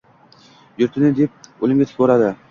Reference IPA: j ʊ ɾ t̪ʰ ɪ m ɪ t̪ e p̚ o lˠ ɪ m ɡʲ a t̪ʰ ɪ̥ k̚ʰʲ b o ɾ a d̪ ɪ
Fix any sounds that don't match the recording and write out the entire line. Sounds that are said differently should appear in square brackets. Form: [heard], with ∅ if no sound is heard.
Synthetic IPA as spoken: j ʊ ɾ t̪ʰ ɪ [n] ɪ [d̪] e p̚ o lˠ ɪ m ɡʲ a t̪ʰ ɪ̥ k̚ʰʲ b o ɾ a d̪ ɪ